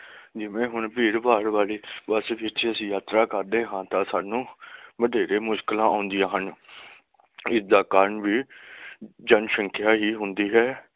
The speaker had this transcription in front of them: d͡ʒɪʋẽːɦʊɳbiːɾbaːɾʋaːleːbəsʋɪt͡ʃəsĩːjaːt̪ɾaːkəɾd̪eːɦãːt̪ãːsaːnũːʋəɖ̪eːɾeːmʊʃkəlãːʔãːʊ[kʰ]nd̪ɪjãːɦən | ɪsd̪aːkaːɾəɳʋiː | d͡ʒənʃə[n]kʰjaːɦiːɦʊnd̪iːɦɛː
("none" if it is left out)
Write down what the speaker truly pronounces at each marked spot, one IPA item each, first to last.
none, ŋ

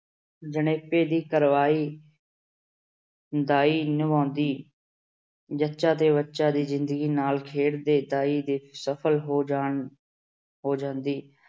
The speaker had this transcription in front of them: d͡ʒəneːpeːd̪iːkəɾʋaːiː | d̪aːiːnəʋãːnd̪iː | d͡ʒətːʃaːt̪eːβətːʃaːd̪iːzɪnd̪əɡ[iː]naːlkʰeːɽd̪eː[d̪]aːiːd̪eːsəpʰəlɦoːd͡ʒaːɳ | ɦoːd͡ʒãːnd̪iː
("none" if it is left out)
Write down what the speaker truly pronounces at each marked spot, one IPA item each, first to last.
iː, d̪

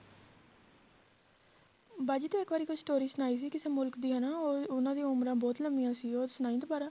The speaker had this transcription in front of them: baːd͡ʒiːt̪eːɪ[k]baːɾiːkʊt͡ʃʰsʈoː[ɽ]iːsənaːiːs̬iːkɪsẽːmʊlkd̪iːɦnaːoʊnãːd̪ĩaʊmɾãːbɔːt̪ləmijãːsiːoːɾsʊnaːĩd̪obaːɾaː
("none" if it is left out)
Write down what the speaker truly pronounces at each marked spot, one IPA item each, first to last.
k, ɾ

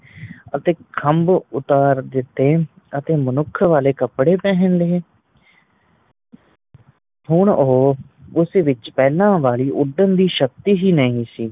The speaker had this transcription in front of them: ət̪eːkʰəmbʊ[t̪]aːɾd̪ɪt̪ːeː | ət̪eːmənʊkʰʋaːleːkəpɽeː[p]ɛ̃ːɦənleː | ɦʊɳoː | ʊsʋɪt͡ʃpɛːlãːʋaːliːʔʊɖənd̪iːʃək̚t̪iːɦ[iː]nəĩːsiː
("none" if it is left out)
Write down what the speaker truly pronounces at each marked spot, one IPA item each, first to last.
t̪, p, iː

